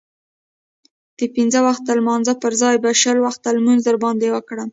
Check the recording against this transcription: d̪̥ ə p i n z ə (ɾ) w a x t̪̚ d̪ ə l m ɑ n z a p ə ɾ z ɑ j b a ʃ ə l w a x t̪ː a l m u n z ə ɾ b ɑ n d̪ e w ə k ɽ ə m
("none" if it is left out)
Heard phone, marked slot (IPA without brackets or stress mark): none